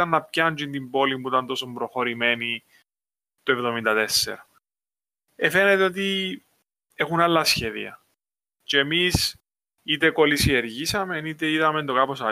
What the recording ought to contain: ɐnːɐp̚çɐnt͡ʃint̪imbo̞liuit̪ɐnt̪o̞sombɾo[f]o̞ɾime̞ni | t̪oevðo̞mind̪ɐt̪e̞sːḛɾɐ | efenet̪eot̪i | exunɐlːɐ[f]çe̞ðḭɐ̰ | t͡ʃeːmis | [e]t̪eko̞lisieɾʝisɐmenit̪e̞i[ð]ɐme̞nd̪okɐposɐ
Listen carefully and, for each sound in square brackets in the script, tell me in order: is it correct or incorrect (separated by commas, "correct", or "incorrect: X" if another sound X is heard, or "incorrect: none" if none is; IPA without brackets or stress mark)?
incorrect: x, incorrect: s, incorrect: i, correct